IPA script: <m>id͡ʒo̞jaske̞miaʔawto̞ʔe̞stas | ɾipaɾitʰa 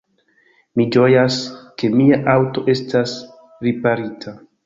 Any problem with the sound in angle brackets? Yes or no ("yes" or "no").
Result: no